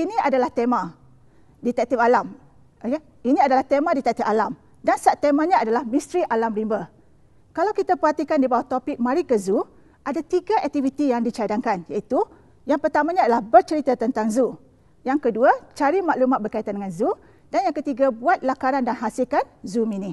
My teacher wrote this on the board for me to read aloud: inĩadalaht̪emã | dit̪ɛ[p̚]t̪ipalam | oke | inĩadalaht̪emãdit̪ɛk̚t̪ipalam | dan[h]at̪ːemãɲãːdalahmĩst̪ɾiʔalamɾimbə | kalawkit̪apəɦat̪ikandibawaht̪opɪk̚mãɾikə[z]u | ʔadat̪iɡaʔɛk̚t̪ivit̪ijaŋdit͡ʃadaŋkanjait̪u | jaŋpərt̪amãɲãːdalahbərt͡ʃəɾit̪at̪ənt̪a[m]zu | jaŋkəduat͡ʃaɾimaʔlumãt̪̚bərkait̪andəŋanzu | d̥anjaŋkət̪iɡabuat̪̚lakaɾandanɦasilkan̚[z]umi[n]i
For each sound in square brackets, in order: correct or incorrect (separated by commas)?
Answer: incorrect, incorrect, correct, incorrect, correct, correct